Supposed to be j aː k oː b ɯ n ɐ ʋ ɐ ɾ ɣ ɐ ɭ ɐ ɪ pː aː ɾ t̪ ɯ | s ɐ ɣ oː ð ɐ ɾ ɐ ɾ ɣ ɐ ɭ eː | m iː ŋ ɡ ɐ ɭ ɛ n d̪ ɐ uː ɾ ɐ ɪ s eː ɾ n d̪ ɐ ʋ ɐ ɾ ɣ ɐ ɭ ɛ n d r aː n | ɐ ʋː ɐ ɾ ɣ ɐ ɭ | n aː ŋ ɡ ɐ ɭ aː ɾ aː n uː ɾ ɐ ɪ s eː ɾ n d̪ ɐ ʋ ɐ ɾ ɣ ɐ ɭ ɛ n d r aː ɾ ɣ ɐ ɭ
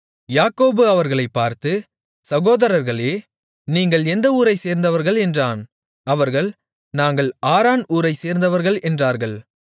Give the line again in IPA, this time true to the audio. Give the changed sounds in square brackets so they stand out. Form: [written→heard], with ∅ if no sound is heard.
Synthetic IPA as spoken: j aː k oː b ɯ [n→∅] ɐ ʋ ɐ ɾ ɣ ɐ ɭ ɐ ɪ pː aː ɾ t̪ ɯ | s ɐ ɣ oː ð ɐ ɾ ɐ ɾ ɣ ɐ ɭ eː | [m→n] iː ŋ ɡ ɐ ɭ ɛ n d̪ ɐ uː ɾ ɐ ɪ s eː ɾ n d̪ ɐ ʋ ɐ ɾ ɣ ɐ ɭ ɛ n d r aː n | ɐ [ʋː→ʋ] ɐ ɾ ɣ ɐ ɭ | n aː ŋ ɡ ɐ ɭ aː ɾ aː n uː ɾ ɐ ɪ s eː ɾ n d̪ ɐ ʋ ɐ ɾ ɣ ɐ ɭ ɛ n d r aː ɾ ɣ ɐ ɭ